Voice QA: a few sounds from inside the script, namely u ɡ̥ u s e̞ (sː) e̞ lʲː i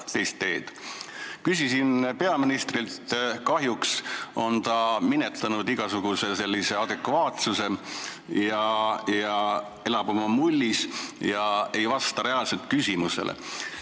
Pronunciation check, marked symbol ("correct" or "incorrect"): incorrect